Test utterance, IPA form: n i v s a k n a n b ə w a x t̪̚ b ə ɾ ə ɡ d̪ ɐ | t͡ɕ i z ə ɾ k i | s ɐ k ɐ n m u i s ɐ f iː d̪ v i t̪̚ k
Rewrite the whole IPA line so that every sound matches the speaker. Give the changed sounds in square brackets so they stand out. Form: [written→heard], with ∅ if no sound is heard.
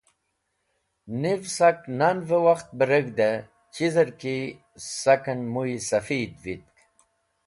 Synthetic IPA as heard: n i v s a k n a n [b→v] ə w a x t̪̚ b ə ɾ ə ɡ d̪ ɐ | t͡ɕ i z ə ɾ k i | s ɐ k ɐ n m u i s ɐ f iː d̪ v i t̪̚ k